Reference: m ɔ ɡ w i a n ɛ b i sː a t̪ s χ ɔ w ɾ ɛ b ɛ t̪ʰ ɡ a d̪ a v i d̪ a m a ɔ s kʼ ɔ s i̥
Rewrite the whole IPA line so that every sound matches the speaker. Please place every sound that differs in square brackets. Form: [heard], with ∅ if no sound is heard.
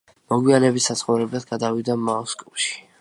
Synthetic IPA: m ɔ ɡ w i a n ɛ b i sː a t̪ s χ ɔ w ɾ ɛ b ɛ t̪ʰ ɡ a d̪ a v i d̪ a m a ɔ s kʼ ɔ [ʃ] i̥

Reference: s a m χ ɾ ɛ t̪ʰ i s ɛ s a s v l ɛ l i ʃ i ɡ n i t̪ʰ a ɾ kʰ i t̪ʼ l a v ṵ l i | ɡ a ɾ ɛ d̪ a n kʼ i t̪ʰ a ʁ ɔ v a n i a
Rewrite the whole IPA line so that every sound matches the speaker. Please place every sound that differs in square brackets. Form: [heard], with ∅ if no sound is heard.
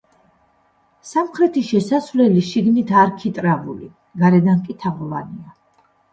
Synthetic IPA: s a m χ ɾ ɛ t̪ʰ i [ʃ] ɛ s a s v l ɛ l i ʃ i ɡ n i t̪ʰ a ɾ kʰ i t̪ʼ [ɾ] a v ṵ l i | ɡ a ɾ ɛ d̪ a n kʼ i t̪ʰ a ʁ ɔ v a n i a

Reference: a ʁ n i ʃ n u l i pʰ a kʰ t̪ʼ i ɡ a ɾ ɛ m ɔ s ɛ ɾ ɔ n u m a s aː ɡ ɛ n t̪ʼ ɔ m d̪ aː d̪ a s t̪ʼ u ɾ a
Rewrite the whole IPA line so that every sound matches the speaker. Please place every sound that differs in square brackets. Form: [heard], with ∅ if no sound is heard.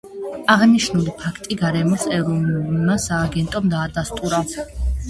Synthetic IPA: a ʁ n i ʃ n u l i pʰ a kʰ t̪ʼ i ɡ a ɾ ɛ m ɔ s ɛ ɾ ɔ n u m a s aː ɡ ɛ n t̪ʼ ɔ m d̪ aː d̪ a s t̪ʼ u ɾ a

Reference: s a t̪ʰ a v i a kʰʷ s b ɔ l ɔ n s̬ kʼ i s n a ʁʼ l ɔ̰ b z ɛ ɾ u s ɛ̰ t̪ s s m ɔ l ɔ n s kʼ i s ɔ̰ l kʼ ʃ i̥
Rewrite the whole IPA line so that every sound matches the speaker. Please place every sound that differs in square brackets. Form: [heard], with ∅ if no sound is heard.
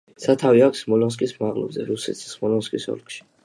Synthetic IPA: s a t̪ʰ a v i a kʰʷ s [m] ɔ l ɔ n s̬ kʼ i s [m] a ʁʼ l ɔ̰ b z ɛ ɾ u s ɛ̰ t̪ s s m ɔ l ɔ n s kʼ i s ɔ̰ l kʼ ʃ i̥

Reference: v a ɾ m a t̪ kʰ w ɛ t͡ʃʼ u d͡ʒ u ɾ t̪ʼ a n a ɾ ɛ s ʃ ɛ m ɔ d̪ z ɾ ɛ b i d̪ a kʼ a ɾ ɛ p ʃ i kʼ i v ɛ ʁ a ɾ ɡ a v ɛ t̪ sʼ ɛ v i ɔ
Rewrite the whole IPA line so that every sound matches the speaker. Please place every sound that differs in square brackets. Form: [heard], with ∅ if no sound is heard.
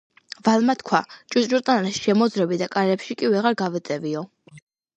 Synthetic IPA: v a [l] m a t̪ kʰ w [a] t͡ʃʼ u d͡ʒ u ɾ t̪ʼ a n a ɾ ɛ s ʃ ɛ m ɔ d̪ z ɾ ɛ b i d̪ a kʼ a ɾ ɛ p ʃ i kʼ i v ɛ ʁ a ɾ ɡ a v ɛ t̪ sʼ ɛ v i ɔ

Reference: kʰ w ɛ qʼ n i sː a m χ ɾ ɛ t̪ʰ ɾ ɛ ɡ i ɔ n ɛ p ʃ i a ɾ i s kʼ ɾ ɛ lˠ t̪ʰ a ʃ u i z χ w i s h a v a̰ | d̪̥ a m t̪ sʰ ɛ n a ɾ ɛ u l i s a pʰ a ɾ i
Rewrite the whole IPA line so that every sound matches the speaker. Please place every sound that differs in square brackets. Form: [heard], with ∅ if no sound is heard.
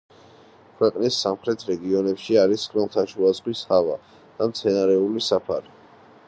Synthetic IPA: kʰ w ɛ qʼ n i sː a m χ ɾ ɛ t̪ʰ ɾ ɛ ɡ i ɔ n ɛ p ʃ i a ɾ i s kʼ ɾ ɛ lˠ t̪ʰ a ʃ u [a] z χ w i s h a v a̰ | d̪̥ a m t̪ sʰ ɛ n a ɾ ɛ u l i s a pʰ a ɾ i

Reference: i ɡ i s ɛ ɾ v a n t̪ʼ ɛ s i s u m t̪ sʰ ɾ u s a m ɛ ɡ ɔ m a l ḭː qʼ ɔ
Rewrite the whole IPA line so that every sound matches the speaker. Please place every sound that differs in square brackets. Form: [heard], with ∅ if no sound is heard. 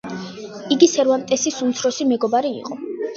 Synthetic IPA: i ɡ i s ɛ ɾ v a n t̪ʼ ɛ s i s u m t̪ sʰ ɾ [ɔ] s [i] m ɛ ɡ ɔ [b] a [ɾ] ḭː qʼ ɔ

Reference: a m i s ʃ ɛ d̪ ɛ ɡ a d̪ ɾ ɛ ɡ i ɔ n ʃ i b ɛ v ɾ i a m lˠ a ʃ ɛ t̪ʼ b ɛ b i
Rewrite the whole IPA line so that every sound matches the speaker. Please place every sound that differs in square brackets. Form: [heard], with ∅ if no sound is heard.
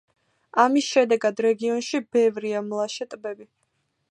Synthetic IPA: a m i s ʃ ɛ d̪ ɛ ɡ a d̪ ɾ ɛ ɡ i ɔ n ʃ i b ɛ v ɾ i a m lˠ a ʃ ɛ t̪ʼ b ɛ b i

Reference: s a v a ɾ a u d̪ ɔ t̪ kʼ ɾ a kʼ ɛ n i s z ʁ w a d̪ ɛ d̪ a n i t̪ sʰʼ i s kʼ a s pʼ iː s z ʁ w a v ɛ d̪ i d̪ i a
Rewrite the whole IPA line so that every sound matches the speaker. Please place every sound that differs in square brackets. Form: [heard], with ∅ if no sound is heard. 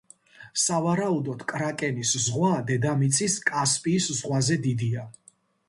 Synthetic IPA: s a v a ɾ a u d̪ ɔ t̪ kʼ ɾ a kʼ ɛ n i s z ʁ w a d̪ ɛ d̪ a [m] i t̪ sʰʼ i s kʼ a s pʼ iː s z ʁ w a [z] ɛ d̪ i d̪ i a

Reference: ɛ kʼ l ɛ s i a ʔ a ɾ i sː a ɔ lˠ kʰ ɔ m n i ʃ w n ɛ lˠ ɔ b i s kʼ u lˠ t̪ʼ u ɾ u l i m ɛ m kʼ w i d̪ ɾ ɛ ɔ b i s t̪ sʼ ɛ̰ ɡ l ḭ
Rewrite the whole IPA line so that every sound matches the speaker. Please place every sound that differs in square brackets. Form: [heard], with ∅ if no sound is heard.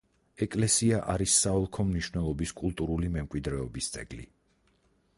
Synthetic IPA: ɛ kʼ l ɛ s i a ʔ a ɾ i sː a ɔ lˠ kʰ ɔ m n i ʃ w n ɛ lˠ ɔ b i s kʼ u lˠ t̪ʼ u ɾ u l i m ɛ m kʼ w i d̪ ɾ ɛ ɔ b i s t̪ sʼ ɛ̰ ɡ l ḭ

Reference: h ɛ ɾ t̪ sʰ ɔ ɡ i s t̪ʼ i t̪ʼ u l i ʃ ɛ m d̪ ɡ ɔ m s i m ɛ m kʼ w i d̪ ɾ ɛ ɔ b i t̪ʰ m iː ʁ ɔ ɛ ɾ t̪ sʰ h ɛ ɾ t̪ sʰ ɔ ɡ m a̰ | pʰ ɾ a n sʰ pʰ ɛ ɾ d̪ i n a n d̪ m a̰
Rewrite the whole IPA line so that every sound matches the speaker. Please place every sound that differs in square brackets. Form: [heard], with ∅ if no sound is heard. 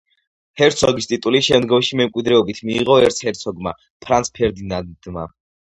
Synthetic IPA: h ɛ ɾ t̪ sʰ ɔ ɡ i s t̪ʼ i t̪ʼ u l i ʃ ɛ m d̪ ɡ ɔ m [ʃ] i m ɛ m kʼ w i d̪ ɾ ɛ ɔ b i t̪ʰ m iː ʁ ɔ ɛ ɾ t̪ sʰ h ɛ ɾ t̪ sʰ ɔ ɡ m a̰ | pʰ ɾ a n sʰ pʰ ɛ ɾ d̪ i n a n d̪ m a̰

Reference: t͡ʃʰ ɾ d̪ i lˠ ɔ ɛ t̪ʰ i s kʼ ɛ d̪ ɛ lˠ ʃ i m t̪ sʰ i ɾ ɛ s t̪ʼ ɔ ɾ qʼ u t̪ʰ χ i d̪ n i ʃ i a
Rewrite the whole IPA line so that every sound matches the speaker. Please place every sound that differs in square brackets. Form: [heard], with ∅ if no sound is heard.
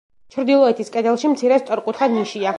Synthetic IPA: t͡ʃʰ ɾ d̪ i lˠ ɔ ɛ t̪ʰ i s kʼ ɛ d̪ ɛ lˠ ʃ i m t̪ sʰ i ɾ ɛ s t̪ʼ ɔ ɾ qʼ u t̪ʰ χ [a] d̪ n i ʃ i a

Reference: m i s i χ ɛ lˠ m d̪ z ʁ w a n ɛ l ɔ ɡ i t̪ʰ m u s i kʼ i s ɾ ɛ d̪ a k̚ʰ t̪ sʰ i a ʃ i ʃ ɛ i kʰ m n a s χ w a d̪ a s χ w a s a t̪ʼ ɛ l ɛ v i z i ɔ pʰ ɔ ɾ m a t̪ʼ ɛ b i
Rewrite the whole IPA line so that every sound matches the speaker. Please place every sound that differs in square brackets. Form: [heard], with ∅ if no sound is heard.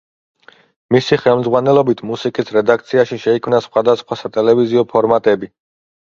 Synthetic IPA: m i s i χ ɛ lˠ m d̪ z ʁ w a n ɛ l ɔ [b] i t̪ʰ m u s i kʼ i s ɾ ɛ d̪ a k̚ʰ t̪ sʰ i a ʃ i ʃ ɛ i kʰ m n a s χ w a d̪ a s χ w a s a t̪ʼ ɛ l ɛ v i z i ɔ pʰ ɔ ɾ m a t̪ʼ ɛ b i

